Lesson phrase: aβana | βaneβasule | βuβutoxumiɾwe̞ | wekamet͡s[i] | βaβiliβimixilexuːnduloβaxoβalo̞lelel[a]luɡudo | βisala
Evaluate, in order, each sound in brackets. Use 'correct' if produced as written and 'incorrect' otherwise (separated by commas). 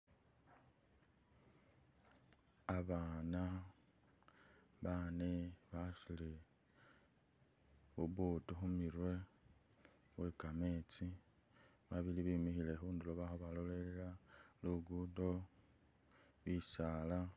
correct, correct